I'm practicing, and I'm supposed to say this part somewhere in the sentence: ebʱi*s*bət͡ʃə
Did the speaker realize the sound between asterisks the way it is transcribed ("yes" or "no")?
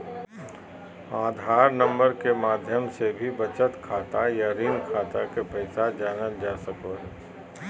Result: no